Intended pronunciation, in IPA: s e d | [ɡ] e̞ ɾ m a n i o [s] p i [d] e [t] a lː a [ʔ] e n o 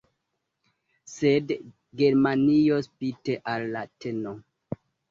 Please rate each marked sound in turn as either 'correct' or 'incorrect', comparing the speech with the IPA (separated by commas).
correct, correct, incorrect, incorrect, incorrect